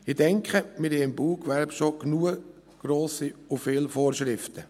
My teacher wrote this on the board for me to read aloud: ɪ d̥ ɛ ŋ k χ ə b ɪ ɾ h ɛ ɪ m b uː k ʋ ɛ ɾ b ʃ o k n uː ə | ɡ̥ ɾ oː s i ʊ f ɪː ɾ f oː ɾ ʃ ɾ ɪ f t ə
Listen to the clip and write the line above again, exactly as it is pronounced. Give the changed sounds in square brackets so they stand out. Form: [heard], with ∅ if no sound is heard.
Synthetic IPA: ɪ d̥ ɛ ŋ k χ ə [m] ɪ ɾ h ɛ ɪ m b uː k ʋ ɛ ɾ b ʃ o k n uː ə | ɡ̥ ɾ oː s i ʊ f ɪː [l] f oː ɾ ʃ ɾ ɪ f t ə